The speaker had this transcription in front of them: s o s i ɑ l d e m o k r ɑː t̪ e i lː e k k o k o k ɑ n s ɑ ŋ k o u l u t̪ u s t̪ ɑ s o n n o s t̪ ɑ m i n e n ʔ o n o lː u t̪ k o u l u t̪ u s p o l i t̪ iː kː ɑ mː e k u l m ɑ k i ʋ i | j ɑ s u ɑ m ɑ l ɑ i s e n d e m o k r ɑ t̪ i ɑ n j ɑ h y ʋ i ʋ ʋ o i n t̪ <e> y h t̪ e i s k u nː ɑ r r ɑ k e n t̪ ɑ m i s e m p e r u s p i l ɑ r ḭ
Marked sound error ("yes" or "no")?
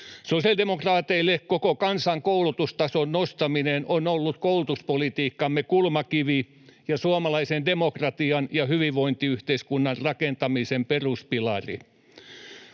yes